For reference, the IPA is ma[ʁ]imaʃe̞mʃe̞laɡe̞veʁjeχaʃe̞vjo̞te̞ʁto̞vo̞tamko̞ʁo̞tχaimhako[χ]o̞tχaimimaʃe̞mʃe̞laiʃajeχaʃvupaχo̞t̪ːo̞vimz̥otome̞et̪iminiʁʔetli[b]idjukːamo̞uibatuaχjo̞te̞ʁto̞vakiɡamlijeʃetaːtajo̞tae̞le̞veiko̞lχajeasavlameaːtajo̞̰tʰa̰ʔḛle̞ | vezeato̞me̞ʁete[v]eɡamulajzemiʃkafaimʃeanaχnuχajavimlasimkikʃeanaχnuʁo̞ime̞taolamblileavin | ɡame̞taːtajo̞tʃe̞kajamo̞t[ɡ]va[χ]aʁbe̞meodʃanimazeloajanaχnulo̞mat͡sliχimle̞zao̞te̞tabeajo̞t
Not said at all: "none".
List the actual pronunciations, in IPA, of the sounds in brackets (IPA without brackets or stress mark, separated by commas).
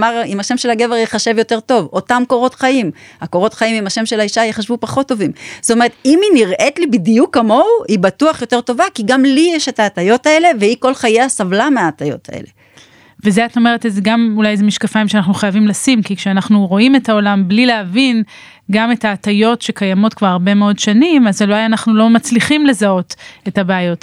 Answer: ʁ, ʁ, b, z, k, ʁ